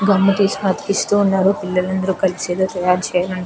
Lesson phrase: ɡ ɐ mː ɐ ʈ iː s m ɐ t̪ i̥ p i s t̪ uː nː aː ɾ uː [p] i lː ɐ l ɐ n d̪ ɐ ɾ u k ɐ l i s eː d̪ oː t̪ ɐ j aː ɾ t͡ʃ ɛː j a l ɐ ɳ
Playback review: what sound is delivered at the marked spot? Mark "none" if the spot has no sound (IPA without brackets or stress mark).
p